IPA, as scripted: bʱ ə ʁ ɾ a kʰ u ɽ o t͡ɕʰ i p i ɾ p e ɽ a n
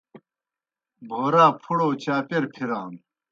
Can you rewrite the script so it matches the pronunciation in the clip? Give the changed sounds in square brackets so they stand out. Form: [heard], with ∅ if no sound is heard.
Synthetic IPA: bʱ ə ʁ ɾ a [pʰ] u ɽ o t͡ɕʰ [a] p [e] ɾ [pʰ] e [ɾ] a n

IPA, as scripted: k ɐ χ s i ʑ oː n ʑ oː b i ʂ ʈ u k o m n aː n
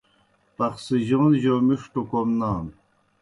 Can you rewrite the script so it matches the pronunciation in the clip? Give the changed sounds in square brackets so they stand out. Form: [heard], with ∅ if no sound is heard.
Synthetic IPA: [p] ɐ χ s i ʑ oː n ʑ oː [m] i ʂ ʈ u k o m n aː n

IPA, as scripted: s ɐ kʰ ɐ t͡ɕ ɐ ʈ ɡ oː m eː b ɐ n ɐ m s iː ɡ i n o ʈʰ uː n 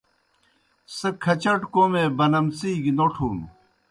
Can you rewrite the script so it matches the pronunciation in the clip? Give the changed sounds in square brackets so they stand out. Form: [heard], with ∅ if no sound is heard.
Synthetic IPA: s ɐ kʰ ɐ t͡ɕ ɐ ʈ [k] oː m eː b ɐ n ɐ m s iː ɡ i n o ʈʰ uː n

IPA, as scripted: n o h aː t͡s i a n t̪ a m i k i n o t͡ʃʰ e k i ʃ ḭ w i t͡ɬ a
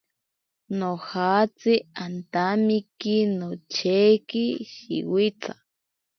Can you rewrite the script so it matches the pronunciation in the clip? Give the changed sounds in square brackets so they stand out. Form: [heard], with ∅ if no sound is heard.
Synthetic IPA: n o h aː t͡s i a n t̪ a m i k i n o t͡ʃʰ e k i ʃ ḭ w i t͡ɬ a

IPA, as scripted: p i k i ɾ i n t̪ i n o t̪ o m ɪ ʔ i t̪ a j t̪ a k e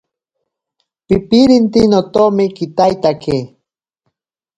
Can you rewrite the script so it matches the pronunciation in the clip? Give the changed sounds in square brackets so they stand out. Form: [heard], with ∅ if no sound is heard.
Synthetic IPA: p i [p] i ɾ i n t̪ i n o t̪ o m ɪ [k] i t̪ a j t̪ a k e

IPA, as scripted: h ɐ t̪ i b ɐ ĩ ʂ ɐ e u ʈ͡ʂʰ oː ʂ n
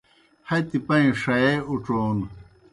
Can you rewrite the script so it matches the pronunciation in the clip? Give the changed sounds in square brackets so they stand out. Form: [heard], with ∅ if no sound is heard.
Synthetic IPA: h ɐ t̪ i [p] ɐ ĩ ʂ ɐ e u [ʈ͡ʂ] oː [∅] n

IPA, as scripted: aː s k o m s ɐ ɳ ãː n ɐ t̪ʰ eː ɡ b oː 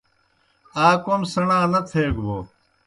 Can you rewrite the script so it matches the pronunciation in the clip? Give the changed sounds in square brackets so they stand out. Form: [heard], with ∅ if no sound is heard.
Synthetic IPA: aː [∅] k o m s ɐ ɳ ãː n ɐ t̪ʰ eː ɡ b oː

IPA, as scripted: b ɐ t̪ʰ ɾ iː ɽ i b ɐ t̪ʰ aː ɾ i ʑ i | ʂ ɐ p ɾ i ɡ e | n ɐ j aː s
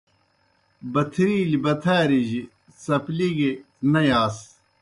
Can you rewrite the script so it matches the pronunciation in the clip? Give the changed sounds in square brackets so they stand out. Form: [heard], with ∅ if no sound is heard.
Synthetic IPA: b ɐ t̪ʰ ɾ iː [l] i b ɐ t̪ʰ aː ɾ i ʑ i | [s] ɐ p [l] i ɡ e | n ɐ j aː s

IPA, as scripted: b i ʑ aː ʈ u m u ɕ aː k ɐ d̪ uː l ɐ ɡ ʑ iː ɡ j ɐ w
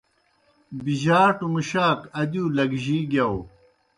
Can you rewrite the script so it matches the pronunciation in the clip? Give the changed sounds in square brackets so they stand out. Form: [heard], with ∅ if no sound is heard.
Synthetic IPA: b i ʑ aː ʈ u m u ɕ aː k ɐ d̪ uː l ɐ ɡ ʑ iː ɡ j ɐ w

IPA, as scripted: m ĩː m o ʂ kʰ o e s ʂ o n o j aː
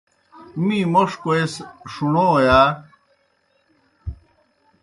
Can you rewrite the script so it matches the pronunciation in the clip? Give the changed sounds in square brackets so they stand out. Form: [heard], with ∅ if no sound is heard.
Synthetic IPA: m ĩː m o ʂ [k] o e s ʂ [u] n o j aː

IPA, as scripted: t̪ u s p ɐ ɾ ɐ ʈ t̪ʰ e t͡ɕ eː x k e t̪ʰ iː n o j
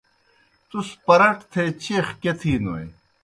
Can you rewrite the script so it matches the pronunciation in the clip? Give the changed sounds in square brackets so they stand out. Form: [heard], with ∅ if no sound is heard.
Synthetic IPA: t̪ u s p ɐ ɾ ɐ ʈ t̪ʰ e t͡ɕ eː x k e t̪ʰ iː n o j

